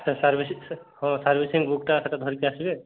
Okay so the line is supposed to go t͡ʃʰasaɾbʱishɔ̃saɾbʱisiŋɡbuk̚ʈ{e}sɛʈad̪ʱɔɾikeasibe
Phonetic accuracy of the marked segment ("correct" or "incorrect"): incorrect